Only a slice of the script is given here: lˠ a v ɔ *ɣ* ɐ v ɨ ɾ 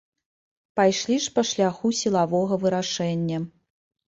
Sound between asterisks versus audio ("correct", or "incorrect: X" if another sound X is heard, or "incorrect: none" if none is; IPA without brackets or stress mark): correct